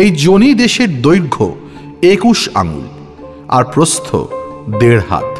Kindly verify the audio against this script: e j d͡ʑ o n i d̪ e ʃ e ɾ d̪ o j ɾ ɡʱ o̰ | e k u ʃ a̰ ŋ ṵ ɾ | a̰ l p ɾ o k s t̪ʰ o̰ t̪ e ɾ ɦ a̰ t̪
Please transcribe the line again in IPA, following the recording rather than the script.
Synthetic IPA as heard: e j d͡ʑ o n i d̪ e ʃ e ɾ d̪ o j ɾ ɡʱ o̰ | e k u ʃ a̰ ŋ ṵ l | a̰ ɾ p ɾ o s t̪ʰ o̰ d̪ e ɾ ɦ a̰ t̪